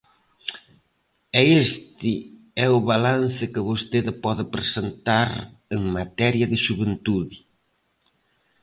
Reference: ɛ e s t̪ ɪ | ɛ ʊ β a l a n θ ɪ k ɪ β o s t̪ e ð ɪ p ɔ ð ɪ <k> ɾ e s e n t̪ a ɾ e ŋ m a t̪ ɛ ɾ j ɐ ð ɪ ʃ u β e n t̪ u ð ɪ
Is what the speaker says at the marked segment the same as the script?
no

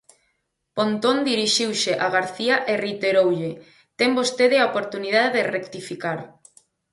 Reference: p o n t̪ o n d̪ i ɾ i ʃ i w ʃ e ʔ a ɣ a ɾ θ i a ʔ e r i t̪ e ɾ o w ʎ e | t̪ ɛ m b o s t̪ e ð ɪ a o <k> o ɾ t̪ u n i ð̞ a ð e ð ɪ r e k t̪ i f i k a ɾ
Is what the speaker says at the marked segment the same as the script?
no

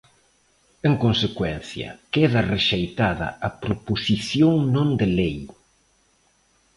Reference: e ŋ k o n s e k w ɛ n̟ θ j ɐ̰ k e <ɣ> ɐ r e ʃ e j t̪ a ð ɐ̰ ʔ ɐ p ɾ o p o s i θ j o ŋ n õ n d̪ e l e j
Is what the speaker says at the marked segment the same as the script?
no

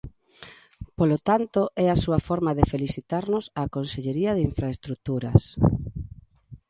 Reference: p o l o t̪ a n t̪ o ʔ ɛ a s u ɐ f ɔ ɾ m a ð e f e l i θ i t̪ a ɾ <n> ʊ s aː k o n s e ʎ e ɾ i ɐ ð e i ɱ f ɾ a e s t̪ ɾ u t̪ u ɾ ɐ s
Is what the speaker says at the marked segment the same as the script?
yes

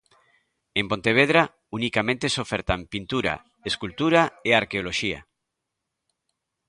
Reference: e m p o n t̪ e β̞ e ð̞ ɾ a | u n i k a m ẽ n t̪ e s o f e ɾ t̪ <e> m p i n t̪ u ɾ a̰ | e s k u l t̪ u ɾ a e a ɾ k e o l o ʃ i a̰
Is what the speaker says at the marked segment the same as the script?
no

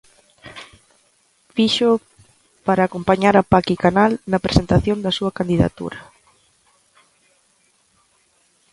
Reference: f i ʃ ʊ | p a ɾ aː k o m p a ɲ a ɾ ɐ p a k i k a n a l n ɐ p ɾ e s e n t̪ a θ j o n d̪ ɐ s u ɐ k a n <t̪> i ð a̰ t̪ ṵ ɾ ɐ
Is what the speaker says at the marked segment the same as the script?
no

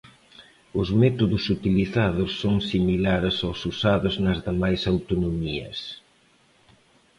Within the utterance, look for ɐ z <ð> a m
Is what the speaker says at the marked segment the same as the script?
yes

